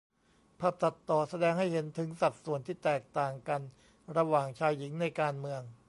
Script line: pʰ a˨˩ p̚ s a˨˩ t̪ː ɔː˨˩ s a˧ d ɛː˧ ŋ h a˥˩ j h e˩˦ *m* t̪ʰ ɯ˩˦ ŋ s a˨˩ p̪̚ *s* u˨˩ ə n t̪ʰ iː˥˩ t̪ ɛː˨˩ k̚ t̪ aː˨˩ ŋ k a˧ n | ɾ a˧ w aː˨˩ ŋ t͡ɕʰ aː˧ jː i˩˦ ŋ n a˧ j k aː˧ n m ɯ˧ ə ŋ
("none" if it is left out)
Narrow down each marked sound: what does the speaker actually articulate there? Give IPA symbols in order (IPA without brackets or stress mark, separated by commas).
n, s